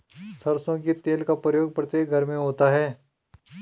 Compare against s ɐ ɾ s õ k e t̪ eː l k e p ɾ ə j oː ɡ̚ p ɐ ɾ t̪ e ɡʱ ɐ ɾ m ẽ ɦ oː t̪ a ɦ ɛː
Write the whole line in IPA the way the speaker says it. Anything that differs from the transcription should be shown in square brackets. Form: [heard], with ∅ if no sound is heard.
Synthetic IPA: s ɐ ɾ s õ k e t̪ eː l k [a] p ɾ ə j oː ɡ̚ p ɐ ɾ t̪ e ɡʱ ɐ ɾ m ẽ ɦ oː t̪ a ɦ ɛː